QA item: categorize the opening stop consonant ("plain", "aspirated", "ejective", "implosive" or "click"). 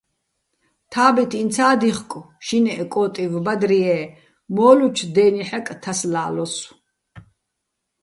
aspirated